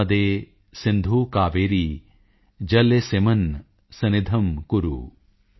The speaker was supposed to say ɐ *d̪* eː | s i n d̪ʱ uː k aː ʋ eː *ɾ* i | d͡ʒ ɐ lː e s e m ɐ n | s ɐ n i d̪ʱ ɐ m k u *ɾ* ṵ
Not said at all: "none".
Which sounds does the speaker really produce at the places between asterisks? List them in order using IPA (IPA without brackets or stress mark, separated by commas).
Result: d̪, ɾ, ɾ